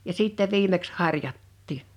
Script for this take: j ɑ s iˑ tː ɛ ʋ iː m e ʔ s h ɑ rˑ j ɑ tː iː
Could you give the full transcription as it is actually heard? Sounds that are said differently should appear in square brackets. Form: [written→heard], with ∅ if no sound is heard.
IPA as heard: j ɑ s iˑ tː ɛ ʋ iː m e [ʔ→k] s h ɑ rˑ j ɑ tː iː